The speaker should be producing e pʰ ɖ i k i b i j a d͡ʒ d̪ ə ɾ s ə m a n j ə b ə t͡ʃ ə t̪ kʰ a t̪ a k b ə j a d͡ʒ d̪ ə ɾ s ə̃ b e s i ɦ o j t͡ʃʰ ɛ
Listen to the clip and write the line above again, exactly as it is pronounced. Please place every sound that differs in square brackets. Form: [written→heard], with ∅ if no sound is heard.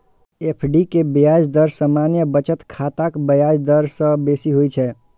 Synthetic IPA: e pʰ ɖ i k [i→e] b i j a d͡ʒ d̪ ə ɾ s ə m a n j ə b ə t͡ʃ ə t̪ kʰ a t̪ a k b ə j a d͡ʒ d̪ ə ɾ s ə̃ b e s i ɦ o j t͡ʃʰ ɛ